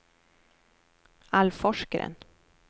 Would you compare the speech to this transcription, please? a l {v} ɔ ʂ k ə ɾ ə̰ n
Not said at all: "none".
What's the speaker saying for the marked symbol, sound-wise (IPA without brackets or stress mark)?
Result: f